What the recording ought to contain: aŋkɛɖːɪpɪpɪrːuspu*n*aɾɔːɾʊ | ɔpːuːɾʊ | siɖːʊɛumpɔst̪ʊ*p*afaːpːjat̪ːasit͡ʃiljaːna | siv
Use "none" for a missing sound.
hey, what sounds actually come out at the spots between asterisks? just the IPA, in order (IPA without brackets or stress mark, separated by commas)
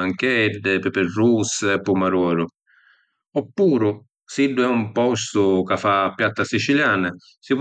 m, k